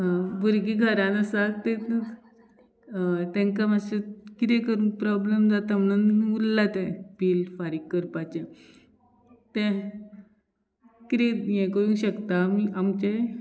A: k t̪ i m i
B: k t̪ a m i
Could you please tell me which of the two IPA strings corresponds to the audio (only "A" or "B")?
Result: B